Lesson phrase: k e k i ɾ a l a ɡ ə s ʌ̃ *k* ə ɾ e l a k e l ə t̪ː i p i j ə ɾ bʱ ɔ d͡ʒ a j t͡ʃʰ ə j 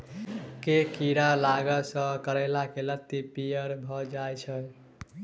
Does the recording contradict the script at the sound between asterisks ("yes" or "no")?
no